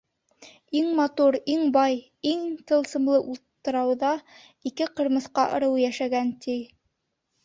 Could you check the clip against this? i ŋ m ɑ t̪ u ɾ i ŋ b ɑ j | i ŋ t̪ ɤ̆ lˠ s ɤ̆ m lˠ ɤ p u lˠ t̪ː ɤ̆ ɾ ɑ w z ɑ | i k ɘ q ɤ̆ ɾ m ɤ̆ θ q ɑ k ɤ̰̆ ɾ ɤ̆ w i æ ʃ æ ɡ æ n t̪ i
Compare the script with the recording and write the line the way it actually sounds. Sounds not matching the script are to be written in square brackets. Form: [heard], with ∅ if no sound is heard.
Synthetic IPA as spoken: i ŋ m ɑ t̪ u ɾ i ŋ b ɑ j | i ŋ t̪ ɤ̆ lˠ s ɤ̆ m lˠ ɤ [ʔ] u lˠ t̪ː ɤ̆ ɾ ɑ w [ð] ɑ | i k ɘ q ɤ̆ ɾ m ɤ̆ θ q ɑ [ʔ] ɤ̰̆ ɾ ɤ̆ w [j] æ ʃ æ ɡ æ n t̪ i